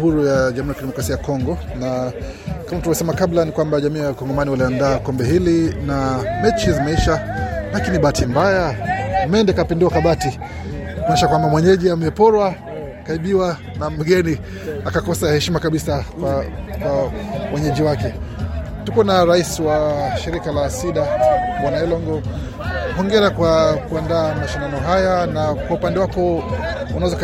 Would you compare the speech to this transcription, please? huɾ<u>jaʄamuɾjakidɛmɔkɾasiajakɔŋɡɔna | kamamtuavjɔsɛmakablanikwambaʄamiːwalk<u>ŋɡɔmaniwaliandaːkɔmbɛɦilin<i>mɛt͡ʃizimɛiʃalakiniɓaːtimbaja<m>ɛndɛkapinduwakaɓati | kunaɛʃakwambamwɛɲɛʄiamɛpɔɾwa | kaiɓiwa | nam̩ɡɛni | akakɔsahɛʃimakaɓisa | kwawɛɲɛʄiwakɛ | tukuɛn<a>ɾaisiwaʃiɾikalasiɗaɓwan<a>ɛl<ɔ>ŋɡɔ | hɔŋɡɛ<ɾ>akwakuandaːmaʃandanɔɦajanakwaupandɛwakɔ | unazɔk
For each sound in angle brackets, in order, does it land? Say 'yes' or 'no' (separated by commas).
yes, no, no, yes, yes, yes, yes, yes